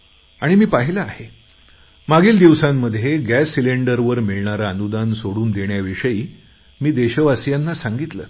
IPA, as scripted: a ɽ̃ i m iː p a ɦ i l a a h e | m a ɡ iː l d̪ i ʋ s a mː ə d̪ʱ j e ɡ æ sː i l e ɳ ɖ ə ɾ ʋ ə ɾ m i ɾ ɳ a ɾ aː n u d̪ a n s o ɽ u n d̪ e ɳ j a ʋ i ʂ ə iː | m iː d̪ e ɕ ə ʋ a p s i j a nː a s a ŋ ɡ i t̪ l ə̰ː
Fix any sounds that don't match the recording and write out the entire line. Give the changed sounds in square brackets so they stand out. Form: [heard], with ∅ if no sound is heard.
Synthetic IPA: a ɽ̃ i m iː p a ɦ i l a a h e | m a ɡ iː l d̪ i ʋ s a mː ə d̪ʱ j e ɡ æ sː i l e ɳ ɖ ə ɾ ʋ ə ɾ m i [ɭ] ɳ a ɾ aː n u d̪ a n s o ɽ [uː] n d̪ e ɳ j a ʋ i ʂ ə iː | m iː d̪ e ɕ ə ʋ a [∅] s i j a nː a s a ŋ ɡ i t̪ l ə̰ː